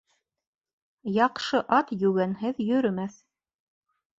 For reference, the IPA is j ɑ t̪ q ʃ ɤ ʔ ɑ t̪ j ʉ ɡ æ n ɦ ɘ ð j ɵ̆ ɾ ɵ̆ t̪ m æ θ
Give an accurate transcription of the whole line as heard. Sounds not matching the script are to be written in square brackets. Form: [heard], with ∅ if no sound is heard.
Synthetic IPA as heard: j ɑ [∅] q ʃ ɤ ʔ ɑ t̪ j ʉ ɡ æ n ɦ ɘ ð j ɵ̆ ɾ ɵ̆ [∅] m æ θ